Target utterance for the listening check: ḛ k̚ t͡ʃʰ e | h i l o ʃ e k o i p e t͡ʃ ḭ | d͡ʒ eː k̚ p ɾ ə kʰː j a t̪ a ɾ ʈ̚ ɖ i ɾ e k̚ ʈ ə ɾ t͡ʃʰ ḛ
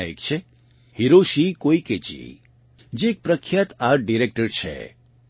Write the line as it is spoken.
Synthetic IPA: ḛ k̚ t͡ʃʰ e | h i ɾ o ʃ i k o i k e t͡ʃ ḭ | d͡ʒ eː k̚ p ɾ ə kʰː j a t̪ a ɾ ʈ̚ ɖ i ɾ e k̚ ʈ ə ɾ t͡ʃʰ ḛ